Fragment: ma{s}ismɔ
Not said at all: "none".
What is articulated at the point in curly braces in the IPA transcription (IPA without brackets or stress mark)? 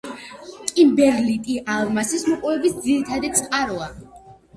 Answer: s